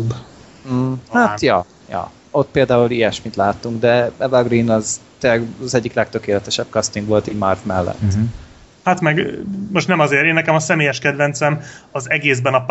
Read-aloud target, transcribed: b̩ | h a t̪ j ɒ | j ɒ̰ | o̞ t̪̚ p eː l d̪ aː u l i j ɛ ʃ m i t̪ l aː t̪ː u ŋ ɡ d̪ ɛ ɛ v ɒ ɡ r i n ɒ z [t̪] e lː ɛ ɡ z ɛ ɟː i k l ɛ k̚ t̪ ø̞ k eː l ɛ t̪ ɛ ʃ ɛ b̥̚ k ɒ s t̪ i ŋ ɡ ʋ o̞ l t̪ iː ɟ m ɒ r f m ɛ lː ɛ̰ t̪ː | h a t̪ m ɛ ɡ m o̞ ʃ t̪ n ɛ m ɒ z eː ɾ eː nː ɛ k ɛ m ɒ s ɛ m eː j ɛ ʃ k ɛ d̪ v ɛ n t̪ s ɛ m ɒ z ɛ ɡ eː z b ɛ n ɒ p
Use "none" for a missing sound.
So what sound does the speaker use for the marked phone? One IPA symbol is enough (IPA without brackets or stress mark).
t̪